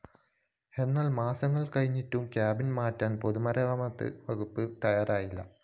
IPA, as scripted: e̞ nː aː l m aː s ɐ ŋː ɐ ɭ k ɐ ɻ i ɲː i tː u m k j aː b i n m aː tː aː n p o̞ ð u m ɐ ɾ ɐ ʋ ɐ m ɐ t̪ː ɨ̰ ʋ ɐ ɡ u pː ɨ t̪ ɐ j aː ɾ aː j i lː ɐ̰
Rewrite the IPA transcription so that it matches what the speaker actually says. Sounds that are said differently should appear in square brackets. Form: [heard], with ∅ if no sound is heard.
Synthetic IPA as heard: e̞ nː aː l m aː s ɐ ŋː ɐ ɭ k ɐ ɻ i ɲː i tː u m k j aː b i n m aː tː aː n p o̞ ð u m ɐ ɾ ɐ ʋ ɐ m ɐ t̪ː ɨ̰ ʋ ɐ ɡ u pː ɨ t̪ ɐ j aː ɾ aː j i lː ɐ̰